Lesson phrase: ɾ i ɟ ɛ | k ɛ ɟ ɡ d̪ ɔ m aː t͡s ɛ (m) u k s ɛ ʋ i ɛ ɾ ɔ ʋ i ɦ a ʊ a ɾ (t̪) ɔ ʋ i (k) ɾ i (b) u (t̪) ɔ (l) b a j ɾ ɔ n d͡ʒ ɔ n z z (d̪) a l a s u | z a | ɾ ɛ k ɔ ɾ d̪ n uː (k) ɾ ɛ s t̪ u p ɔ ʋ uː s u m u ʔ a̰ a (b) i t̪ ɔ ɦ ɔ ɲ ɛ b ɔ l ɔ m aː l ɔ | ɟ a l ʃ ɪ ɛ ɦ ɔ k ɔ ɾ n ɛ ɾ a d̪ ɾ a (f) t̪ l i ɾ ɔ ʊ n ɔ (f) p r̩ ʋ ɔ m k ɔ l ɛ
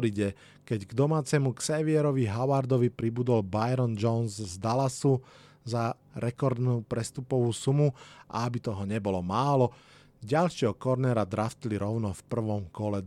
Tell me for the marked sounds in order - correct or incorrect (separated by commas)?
correct, incorrect, incorrect, correct, incorrect, correct, correct, incorrect, correct, correct, correct